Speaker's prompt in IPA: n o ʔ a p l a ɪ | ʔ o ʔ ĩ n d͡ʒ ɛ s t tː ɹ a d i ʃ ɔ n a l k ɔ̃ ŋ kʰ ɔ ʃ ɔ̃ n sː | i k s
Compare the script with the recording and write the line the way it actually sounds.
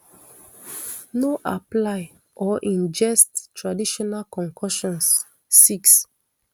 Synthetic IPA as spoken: n o ʔ a p l a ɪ | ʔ ɔ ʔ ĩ n d͡ʒ ɛ s t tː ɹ a d i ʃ ɔ n a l k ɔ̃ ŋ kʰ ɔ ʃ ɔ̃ n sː | i k s